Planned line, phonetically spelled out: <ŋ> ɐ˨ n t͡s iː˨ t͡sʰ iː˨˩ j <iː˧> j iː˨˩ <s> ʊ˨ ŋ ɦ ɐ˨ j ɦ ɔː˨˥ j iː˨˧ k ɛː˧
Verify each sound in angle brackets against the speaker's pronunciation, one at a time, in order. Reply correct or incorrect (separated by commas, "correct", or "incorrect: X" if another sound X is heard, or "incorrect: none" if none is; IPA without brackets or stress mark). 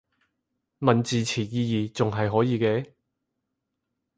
incorrect: m, correct, incorrect: t͡s